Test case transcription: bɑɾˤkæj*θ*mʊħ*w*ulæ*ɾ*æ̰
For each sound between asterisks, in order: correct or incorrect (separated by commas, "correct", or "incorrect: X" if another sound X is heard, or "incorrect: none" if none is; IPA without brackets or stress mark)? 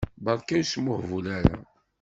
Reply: incorrect: s, incorrect: v, correct